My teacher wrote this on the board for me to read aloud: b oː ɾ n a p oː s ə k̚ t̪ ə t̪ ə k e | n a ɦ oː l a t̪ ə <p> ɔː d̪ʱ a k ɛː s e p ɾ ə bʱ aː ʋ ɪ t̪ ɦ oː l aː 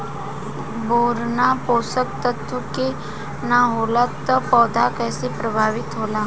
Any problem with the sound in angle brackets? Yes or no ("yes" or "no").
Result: no